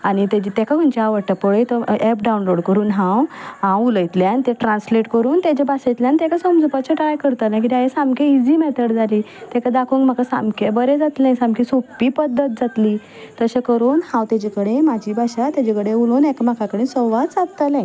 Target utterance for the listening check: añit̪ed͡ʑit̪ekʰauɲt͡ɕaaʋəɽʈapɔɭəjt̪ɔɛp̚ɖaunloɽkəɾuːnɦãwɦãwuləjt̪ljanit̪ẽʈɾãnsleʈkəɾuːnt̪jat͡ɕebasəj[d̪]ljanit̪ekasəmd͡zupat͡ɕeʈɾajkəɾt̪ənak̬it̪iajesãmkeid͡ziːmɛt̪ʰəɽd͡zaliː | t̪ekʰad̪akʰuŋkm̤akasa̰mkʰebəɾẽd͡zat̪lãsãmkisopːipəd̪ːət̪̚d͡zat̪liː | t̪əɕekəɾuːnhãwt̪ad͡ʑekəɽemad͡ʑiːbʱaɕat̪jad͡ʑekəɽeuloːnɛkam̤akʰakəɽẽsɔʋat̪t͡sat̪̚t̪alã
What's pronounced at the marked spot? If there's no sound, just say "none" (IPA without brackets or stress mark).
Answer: t̪